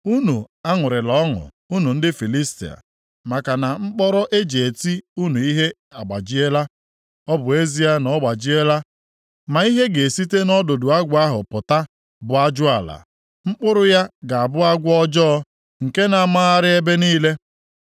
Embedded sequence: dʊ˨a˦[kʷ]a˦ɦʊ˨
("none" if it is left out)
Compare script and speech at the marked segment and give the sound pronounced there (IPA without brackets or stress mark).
ɡʷ